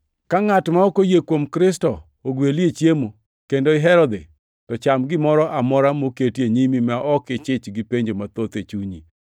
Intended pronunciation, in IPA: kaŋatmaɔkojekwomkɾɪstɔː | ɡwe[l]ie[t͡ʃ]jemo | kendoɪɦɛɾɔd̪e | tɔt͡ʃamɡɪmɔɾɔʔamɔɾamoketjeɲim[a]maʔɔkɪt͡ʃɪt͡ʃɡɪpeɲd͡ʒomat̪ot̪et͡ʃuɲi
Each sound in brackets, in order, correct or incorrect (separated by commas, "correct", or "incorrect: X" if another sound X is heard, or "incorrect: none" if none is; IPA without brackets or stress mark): correct, correct, incorrect: i